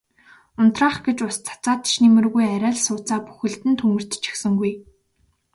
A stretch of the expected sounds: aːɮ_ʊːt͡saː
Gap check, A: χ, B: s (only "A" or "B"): B